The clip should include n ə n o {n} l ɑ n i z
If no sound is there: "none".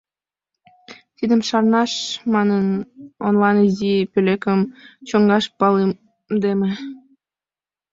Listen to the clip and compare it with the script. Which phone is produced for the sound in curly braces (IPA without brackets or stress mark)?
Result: n